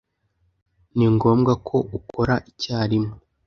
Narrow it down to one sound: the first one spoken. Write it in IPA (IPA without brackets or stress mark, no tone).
n